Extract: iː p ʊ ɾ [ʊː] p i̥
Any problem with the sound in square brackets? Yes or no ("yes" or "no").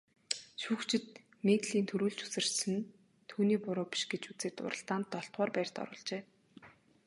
no